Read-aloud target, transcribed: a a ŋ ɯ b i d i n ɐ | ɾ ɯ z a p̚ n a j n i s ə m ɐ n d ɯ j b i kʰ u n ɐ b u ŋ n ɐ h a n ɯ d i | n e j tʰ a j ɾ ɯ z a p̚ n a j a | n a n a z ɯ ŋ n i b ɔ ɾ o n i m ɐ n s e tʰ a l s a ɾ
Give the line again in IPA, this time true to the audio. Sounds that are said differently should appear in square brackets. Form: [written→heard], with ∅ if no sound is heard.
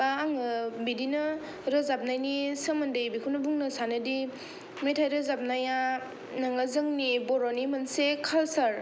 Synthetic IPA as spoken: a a ŋ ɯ b i d i n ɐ | ɾ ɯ z a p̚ n a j n i s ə m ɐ n d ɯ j b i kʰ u n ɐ b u ŋ n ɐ [h→s] a n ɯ d i | [n→m] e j tʰ a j ɾ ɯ z a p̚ n a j a | n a [n→ŋ] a z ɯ ŋ n i b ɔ ɾ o n i m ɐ n s e [tʰ→kʰ] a l s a ɾ